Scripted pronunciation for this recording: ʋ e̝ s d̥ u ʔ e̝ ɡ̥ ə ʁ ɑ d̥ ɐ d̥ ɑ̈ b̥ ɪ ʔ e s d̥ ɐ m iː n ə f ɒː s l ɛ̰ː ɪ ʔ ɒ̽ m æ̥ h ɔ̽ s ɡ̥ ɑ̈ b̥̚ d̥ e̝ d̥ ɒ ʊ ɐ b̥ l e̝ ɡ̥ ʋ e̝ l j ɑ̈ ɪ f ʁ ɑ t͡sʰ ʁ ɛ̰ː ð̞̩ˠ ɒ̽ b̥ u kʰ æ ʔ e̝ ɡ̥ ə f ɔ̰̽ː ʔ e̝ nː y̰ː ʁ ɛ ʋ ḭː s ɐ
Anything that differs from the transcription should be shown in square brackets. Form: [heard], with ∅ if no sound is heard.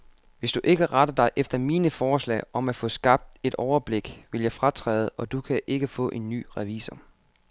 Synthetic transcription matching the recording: ʋ e̝ s d̥ u ʔ e̝ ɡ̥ ə ʁ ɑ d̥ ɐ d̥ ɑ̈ [∅] ɪ ʔ e [f] d̥ ɐ m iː n ə f ɒː s l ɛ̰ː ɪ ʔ ɒ̽ m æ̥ [f] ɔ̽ s ɡ̥ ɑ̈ b̥̚ d̥ e̝ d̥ ɒ ʊ ɐ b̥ l e̝ ɡ̥ ʋ e̝ l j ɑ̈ ɪ f ʁ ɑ t͡sʰ ʁ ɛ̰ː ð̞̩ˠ ɒ̽ [d̥] u kʰ æ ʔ e̝ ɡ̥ ə f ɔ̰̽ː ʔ e̝ nː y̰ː ʁ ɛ ʋ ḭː s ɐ